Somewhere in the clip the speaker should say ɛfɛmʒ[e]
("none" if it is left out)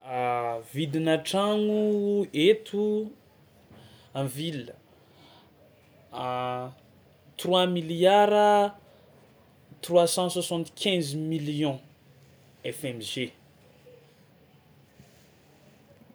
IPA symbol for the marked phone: e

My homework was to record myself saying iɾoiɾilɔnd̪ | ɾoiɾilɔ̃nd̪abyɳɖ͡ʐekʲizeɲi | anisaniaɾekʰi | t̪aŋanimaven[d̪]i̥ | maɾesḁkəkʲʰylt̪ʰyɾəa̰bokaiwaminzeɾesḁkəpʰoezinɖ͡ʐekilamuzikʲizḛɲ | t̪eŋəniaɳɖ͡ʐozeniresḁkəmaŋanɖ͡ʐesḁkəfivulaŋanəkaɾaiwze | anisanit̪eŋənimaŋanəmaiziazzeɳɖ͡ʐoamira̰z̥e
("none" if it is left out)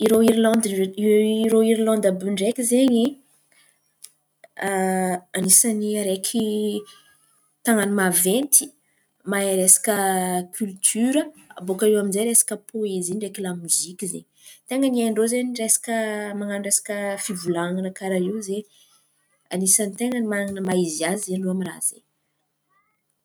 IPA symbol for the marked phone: t̪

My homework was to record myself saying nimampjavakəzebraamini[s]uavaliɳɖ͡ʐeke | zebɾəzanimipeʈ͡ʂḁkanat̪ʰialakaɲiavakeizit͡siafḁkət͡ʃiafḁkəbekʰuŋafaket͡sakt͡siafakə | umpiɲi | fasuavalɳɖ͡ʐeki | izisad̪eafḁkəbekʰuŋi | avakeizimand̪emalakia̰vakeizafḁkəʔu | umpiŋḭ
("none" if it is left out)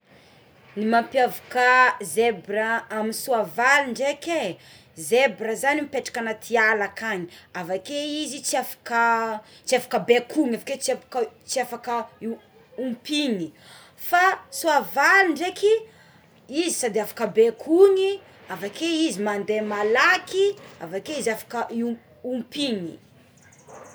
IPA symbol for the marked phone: s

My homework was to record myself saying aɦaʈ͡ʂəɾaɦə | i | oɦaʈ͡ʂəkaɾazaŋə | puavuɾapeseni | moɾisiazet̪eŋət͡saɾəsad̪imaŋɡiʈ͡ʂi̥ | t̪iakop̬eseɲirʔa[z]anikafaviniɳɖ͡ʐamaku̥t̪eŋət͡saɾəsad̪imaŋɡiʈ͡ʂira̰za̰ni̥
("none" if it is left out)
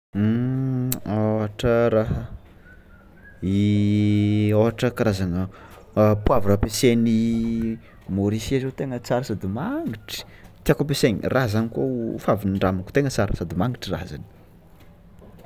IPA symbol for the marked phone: z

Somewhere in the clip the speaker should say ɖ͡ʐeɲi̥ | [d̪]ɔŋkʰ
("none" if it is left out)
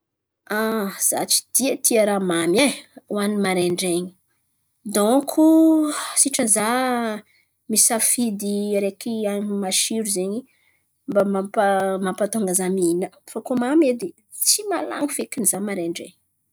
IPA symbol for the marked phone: d̪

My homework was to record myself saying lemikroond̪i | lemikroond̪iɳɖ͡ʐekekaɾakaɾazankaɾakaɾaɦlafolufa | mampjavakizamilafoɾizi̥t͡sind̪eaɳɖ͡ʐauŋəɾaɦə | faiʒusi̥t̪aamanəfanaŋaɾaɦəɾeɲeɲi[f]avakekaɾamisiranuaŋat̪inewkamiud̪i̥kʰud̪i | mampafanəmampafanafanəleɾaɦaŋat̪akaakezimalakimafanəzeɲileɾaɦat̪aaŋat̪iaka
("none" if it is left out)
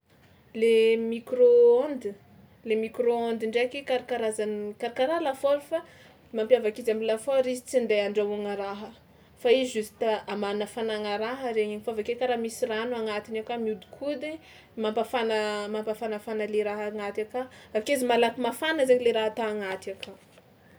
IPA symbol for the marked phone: f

